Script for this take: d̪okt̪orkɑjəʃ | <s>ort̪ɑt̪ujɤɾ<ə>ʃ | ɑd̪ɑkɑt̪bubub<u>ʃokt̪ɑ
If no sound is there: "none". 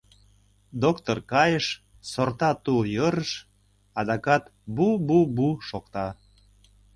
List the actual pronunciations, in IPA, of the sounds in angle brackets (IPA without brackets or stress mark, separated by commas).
s, ə, u